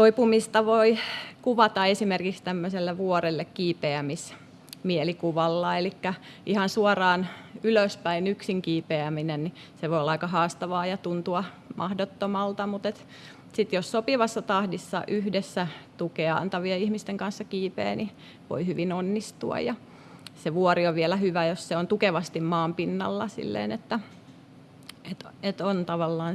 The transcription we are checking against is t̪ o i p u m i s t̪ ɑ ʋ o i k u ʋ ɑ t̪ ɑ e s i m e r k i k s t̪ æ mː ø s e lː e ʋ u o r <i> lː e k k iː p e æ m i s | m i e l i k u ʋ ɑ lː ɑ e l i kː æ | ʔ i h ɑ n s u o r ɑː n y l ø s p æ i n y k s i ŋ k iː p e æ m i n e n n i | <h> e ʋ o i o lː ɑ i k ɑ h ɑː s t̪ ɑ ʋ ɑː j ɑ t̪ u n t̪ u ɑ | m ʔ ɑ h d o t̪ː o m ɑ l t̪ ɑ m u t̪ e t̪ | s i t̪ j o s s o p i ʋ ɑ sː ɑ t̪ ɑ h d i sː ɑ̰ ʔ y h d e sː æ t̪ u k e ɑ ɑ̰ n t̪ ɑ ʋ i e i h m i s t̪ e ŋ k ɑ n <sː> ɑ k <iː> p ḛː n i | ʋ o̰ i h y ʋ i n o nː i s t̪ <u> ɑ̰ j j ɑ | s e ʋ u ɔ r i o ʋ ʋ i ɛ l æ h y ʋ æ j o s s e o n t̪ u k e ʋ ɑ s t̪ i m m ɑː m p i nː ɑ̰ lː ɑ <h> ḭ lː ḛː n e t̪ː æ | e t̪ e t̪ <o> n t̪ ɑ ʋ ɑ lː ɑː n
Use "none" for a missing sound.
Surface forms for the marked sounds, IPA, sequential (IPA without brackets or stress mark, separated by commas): e, s, sː, iː, u, s, o